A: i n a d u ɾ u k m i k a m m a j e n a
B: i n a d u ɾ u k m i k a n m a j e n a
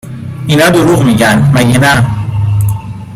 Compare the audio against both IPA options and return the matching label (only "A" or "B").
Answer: B